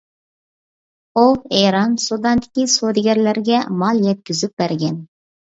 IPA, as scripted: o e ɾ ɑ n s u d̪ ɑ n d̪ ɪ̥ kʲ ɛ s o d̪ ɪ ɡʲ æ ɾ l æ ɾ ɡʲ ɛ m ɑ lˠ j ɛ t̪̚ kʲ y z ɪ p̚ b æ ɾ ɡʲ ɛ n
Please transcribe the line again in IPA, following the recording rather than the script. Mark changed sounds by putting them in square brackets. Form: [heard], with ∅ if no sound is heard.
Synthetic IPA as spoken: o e ɾ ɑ n s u d̪ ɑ n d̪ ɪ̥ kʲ [i] s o d̪ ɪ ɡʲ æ ɾ l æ ɾ ɡʲ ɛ m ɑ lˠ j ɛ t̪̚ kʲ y z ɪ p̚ b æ ɾ ɡʲ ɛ n